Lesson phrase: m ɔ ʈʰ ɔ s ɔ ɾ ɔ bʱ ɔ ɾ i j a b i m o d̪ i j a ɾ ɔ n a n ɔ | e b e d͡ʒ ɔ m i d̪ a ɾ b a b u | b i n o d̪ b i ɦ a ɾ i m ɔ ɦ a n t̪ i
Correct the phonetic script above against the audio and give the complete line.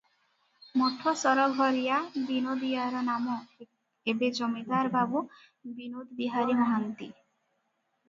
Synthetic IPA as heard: m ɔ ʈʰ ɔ s ɔ ɾ ɔ ɡʱ ɔ ɾ i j a b i n o d̪ i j a ɾ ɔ n a m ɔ | e b e d͡ʒ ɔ m i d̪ a ɾ b a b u | b i n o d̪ b i ɦ a ɾ i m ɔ ɦ a n t̪ i